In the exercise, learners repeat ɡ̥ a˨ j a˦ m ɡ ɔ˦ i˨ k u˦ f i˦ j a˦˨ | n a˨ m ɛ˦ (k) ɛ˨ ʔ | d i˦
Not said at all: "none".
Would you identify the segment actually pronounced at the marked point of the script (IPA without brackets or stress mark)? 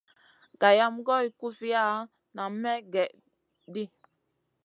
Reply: ɡ